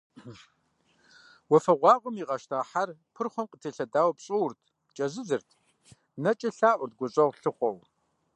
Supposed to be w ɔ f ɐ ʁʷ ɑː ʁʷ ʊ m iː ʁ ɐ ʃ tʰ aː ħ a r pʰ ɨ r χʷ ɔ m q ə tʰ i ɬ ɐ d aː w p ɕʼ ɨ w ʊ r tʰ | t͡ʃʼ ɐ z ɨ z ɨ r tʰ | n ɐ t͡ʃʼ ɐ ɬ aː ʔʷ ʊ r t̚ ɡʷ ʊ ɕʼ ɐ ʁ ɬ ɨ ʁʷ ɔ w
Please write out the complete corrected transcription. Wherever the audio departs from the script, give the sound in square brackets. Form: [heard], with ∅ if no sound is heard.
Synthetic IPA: w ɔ f ɐ ʁʷ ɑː ʁʷ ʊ m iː ʁ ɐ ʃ tʰ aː ħ a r pʰ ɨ r χʷ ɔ m q ə tʰ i ɬ ɐ d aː w p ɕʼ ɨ w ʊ r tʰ | t͡ʃʼ ɐ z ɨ z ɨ r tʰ | n ɐ t͡ʃʼ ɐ ɬ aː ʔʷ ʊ r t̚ ɡʷ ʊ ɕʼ ɐ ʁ ɬ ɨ [χʷ] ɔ w